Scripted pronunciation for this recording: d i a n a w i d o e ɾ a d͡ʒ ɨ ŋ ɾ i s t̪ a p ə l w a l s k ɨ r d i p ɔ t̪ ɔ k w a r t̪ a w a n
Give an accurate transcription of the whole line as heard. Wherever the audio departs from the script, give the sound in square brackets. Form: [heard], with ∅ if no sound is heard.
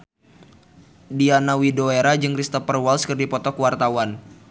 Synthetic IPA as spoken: d i a n a w i d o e ɾ a d͡ʒ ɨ ŋ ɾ i s t̪ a p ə [r] w a l s k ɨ r d i p ɔ t̪ ɔ k w a r t̪ a w a n